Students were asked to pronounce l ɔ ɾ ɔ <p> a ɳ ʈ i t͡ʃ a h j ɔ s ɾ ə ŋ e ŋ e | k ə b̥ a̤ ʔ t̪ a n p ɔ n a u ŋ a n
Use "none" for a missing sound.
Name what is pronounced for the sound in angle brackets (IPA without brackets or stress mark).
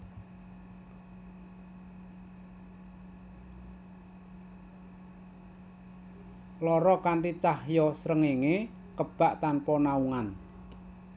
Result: k